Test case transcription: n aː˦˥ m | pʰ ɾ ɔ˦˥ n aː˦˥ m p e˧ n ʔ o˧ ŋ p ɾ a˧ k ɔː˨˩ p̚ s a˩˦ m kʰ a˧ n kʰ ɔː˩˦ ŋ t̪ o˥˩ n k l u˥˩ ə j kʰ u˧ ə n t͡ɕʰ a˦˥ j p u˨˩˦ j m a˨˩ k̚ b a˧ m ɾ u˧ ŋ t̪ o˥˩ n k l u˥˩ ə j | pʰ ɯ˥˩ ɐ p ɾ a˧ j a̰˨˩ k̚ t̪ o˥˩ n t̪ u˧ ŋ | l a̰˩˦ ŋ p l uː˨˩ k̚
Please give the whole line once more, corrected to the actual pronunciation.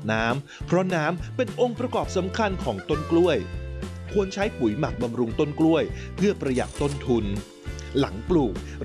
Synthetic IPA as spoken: n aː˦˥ m | pʰ ɾ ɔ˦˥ n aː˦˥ m p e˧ n ʔ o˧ ŋ p ɾ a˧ k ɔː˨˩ p̚ s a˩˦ m kʰ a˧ n kʰ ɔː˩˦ ŋ t̪ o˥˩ n k l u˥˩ ə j kʰ u˧ ə n t͡ɕʰ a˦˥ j p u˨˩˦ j m a˨˩ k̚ b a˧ m ɾ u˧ ŋ t̪ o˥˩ n k l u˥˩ ə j | pʰ ɯ˥˩ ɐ p ɾ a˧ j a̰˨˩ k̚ t̪ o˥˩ n t̪ʰ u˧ n | l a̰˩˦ ŋ p l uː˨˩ k̚